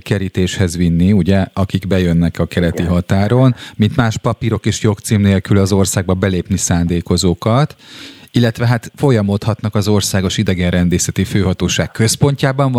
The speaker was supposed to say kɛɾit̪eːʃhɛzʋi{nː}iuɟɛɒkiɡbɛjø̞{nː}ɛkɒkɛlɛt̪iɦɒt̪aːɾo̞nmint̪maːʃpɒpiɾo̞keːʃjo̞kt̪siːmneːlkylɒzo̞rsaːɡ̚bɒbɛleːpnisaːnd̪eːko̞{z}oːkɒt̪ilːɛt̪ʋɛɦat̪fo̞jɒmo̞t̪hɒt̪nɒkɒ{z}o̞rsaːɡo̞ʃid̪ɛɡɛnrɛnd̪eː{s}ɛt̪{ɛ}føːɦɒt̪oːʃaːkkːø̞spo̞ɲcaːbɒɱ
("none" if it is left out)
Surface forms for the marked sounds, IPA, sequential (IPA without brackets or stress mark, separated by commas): nː, nː, z, z, s, i